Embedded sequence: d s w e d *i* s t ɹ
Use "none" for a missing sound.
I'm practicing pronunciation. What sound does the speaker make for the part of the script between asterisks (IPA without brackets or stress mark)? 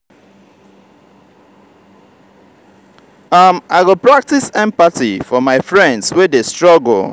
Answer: e